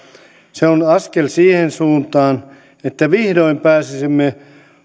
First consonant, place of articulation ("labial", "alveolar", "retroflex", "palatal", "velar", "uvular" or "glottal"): alveolar